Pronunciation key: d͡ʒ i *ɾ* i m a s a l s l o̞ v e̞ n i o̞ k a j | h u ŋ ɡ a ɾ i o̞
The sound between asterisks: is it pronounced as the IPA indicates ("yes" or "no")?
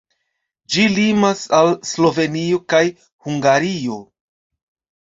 no